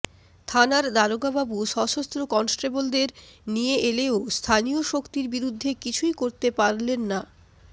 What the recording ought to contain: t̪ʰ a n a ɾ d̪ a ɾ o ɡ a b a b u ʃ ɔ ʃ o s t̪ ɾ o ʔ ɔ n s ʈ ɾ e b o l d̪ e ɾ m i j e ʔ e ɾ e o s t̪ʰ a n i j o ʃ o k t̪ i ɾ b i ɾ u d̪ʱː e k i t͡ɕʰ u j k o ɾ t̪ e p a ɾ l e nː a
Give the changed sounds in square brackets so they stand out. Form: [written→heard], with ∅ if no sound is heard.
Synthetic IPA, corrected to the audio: t̪ʰ a n a ɾ d̪ a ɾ o ɡ a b a b u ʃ ɔ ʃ o s t̪ ɾ o [ʔ→k] ɔ n s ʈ ɾ e b o l d̪ e ɾ [m→n] i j e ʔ e [ɾ→l] e o s t̪ʰ a n i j o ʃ o k t̪ i ɾ b i ɾ u d̪ʱː e k i t͡ɕʰ u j k o ɾ t̪ e p a ɾ l e nː a